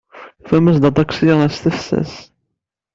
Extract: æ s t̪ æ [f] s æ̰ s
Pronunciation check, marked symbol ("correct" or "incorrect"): correct